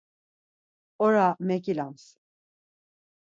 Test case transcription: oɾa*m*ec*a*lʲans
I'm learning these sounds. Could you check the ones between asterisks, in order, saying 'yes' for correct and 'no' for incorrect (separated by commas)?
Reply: yes, no